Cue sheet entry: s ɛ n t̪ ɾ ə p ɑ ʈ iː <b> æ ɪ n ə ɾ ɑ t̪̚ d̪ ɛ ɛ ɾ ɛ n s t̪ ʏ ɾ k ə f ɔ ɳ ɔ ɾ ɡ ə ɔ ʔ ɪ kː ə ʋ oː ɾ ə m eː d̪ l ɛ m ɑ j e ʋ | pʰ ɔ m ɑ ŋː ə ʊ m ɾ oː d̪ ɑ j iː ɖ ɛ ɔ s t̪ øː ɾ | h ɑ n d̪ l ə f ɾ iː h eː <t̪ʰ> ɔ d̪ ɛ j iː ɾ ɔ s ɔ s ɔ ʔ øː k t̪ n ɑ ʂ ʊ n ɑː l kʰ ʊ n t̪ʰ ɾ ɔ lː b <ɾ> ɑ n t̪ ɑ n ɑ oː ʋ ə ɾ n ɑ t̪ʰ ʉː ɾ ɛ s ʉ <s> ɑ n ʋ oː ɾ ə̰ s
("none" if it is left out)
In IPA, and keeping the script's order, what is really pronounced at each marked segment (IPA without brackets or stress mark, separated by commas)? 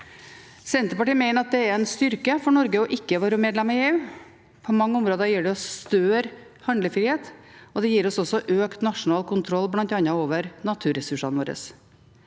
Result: m, t̪, l, ʂ